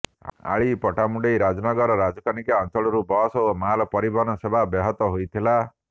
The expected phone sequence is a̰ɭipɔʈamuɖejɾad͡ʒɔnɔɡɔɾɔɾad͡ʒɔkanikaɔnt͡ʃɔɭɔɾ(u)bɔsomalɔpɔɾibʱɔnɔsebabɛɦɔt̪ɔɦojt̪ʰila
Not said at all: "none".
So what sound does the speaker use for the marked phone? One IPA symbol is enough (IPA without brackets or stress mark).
u